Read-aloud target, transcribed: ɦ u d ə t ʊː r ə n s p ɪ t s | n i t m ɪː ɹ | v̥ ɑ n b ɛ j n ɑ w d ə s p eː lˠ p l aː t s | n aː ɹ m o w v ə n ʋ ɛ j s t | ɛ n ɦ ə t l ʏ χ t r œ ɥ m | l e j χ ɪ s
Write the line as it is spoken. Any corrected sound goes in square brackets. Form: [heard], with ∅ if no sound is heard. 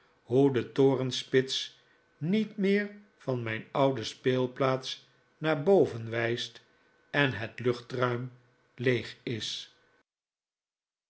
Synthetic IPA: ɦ u d ə t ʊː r ə n s p ɪ t s | n i t m ɪː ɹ | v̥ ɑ n [m] ɛ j n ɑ w d ə s p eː lˠ p l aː t s | n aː ɹ [b] o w v ə n ʋ ɛ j s t | ɛ n ɦ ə t l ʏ χ t r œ ɥ m | l e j χ ɪ s